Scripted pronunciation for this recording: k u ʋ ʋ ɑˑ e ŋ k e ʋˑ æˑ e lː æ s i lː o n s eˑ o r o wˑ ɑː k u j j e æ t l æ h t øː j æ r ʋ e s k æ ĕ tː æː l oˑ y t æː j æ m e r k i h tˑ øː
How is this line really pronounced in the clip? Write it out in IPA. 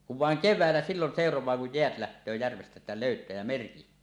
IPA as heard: k u ʋ ʋ ɑˑ e ŋ k e ʋˑ æˑ e lː æ s i lː o n s eˑ o r o wˑ ɑː k u j j e æ t l æ h t øː j æ r ʋ e s t æ ĕ tː æ l oˑ y t æː j æ m e r k i h tˑ øː